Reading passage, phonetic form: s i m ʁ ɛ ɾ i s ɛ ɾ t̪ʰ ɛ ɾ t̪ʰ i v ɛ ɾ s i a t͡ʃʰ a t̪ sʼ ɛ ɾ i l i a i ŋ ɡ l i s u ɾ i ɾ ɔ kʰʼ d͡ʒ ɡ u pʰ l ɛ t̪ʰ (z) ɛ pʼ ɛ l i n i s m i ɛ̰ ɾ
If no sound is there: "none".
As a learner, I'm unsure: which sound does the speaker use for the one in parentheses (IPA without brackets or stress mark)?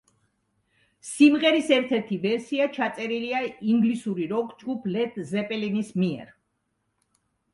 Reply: z